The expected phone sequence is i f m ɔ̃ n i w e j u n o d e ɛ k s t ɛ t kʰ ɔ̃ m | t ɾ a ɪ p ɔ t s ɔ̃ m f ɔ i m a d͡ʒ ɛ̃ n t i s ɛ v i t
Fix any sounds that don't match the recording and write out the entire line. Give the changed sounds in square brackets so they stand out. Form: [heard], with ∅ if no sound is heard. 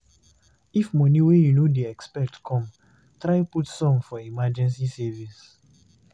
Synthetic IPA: i f m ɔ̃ n i w e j u n o d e ɛ k s [p] ɛ t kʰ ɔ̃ m | t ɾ a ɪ p [u] t s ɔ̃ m f ɔ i m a d͡ʒ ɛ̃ n [s] i s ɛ v i [s]